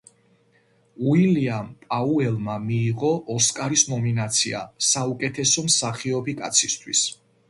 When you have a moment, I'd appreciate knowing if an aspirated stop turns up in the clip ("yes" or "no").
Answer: yes